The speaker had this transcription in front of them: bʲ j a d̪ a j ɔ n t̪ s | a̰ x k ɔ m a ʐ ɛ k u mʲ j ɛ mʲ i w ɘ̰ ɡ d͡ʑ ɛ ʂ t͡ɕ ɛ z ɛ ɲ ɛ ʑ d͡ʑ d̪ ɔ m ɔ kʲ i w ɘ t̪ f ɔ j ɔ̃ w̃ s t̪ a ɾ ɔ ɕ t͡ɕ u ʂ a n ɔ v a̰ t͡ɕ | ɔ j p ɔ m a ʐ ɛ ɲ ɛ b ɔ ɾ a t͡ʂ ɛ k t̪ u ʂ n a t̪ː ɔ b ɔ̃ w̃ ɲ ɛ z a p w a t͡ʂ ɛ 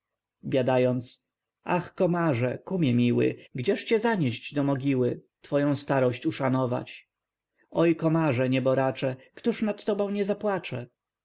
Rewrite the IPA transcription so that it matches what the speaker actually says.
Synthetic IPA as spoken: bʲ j a d̪ a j ɔ n t̪ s | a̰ x k ɔ m a ʐ ɛ k u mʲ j ɛ mʲ i w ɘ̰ ɡ d͡ʑ ɛ ʂ t͡ɕ ɛ z a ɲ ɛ ʑ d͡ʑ d̪ ɔ m ɔ ɡʲ i w ɘ t̪ f ɔ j ɔ̃ w̃ s t̪ a ɾ ɔ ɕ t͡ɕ u ʂ a n ɔ v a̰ t͡ɕ | ɔ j k ɔ m a ʐ ɛ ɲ ɛ b ɔ ɾ a t͡ʂ ɛ k t̪ u ʂ n a t̪ː ɔ b ɔ̃ w̃ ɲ ɛ z a p w a t͡ʂ ɛ

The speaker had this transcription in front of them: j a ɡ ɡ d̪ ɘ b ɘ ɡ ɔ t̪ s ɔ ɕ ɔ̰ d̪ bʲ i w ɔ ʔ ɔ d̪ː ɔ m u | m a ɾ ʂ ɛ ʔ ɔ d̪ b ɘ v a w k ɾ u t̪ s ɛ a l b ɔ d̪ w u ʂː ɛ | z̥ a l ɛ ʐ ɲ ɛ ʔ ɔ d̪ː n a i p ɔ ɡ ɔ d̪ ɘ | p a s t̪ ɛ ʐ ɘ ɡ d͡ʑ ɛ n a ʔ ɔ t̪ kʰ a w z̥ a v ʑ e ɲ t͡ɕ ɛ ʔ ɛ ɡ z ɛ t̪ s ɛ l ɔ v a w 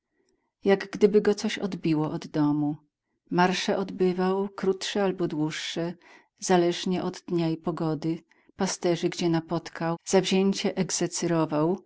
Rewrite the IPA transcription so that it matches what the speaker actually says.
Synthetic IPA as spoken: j a ɡ ɡ d̪ ɘ b ɘ ɡ ɔ t̪ s ɔ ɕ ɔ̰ d̪ bʲ i w ɔ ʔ ɔ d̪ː ɔ m u | m a ɾ ʂ ɛ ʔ ɔ d̪ b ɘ v a w k ɾ u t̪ ʂ ɛ a l b ɔ d̪ w u ʂː ɛ | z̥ a l ɛ ʐ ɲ ɛ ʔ ɔ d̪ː ɲ a i p ɔ ɡ ɔ d̪ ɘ | p a s t̪ ɛ ʐ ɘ ɡ d͡ʑ ɛ n a p ɔ t̪ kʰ a w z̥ a v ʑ e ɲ t͡ɕ ɛ ʔ ɛ ɡ z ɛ t̪ s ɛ ɾ ɔ v a w

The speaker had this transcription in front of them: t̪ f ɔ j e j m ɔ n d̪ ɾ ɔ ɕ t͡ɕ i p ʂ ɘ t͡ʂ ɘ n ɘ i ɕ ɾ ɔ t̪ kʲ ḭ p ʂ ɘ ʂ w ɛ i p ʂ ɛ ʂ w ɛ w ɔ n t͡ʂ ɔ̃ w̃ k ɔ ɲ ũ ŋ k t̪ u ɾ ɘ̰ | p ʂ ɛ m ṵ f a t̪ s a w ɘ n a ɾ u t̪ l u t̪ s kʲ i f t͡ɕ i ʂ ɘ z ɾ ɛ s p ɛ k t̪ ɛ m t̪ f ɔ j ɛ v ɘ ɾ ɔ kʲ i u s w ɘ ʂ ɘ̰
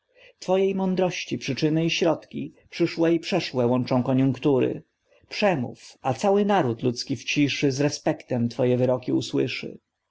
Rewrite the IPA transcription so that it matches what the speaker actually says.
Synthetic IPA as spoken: t̪ f ɔ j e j m ɔ n d̪ ɾ ɔ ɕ t͡ɕ i p ʂ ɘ t͡ʂ ɘ n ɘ i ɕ ɾ ɔ t̪ kʲ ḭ p ʂ ɘ ʂ w ɛ i p ʂ ɛ ʂ w ɛ w ɔ n t͡ʂ ɔ̃ w̃ k ɔ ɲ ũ ŋ k t̪ u ɾ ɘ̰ | p ʂ ɛ m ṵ f a t̪ s a w ɘ n a ɾ u t̪ l u t̪ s kʲ i f t͡ɕ i ʂ ɘ z ɾ ɛ s p ɛ k t̪ ɛ m t̪ f ɔ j ɛ v ɘ ɾ ɔ kʲ i u s w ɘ ʂ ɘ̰

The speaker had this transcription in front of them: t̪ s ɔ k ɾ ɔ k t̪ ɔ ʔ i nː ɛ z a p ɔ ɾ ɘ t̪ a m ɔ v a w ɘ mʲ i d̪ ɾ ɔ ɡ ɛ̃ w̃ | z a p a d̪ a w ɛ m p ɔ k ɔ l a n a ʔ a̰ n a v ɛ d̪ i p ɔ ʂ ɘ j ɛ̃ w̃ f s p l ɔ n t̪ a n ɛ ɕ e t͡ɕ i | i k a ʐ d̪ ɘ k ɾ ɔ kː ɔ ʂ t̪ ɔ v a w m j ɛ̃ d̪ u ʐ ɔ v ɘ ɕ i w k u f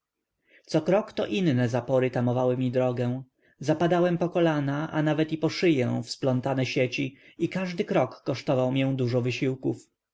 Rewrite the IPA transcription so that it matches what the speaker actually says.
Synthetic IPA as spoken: t̪ s ɔ k ɾ ɔ k t̪ ɔ ʔ i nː ɛ z a p ɔ ɾ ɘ t̪ a m ɔ v a w ɘ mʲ i d̪ ɾ ɔ ɡ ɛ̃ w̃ | z a p a d̪ a w ɛ m p ɔ k ɔ l a n a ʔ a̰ n a v ɛ t̪ i p ɔ ʂ ɘ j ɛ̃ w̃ f s p l ɔ n t̪ a n ɛ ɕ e t͡ɕ i | i k a ʐ d̪ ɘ k ɾ ɔ kː ɔ ʂ t̪ ɔ v a w m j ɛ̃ d̪ u ʐ ɔ v ɘ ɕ i w k u f

